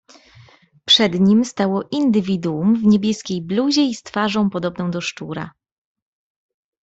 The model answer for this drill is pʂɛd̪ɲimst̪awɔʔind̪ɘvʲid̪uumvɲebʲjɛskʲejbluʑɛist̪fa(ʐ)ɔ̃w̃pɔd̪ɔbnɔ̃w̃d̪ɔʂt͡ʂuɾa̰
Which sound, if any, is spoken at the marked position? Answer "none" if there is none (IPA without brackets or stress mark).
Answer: ʐ